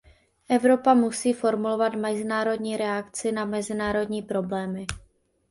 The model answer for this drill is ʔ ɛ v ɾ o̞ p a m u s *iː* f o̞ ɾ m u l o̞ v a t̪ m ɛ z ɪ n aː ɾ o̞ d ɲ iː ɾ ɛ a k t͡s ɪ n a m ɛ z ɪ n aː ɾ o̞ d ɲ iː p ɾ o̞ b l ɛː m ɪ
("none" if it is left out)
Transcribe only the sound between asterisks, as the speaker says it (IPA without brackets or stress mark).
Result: iː